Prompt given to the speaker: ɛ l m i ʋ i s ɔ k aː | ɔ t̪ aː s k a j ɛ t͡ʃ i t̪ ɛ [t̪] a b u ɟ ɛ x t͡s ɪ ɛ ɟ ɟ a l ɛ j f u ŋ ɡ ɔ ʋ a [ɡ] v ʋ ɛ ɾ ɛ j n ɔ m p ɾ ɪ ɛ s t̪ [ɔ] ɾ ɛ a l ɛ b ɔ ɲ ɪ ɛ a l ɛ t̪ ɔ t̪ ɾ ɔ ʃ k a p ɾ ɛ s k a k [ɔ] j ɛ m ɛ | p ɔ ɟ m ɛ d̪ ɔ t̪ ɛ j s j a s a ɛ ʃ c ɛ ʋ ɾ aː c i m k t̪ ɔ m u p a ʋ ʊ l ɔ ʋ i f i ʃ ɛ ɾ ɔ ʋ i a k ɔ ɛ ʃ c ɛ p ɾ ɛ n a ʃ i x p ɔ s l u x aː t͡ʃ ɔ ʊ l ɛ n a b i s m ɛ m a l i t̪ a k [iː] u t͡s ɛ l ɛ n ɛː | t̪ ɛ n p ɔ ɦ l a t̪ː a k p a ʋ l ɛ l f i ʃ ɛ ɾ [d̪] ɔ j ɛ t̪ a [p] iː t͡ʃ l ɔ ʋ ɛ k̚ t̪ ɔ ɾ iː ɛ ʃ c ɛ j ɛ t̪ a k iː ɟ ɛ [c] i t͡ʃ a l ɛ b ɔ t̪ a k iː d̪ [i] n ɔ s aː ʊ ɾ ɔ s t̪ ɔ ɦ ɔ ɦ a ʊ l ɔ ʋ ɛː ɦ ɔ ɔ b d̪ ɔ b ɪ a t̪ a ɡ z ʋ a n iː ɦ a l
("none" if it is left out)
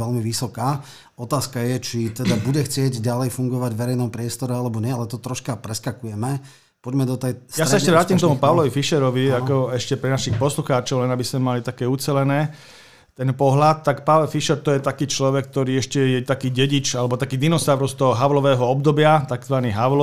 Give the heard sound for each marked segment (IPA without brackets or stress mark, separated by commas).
d̪, ɟ, ɔ, u, ɛː, t̪, k, ɟ, i